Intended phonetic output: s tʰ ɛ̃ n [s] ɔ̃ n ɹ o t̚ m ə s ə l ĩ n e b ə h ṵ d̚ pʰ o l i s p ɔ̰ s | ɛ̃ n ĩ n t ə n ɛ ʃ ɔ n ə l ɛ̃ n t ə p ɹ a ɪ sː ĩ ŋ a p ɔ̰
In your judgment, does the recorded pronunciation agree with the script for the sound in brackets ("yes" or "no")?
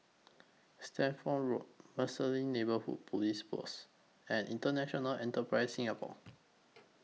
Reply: no